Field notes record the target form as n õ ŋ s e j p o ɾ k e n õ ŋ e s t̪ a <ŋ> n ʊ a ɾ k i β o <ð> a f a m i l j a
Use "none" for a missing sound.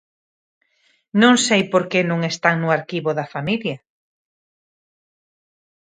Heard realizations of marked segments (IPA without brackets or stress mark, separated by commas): ŋ, ð